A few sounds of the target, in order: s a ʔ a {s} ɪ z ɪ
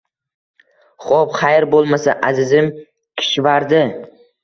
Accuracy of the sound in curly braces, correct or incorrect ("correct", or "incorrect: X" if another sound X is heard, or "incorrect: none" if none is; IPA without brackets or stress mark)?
incorrect: z